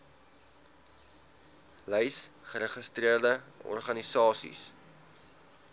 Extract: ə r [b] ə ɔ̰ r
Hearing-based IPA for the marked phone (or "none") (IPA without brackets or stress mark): d